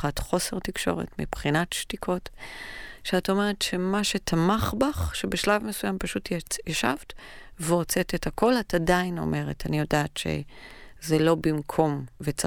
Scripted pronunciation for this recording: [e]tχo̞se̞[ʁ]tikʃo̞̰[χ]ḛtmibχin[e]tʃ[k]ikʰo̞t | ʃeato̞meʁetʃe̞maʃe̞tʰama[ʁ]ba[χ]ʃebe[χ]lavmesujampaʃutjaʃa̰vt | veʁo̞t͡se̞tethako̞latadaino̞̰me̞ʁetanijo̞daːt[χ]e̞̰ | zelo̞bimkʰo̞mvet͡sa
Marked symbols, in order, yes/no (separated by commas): no, yes, no, no, no, no, yes, no, no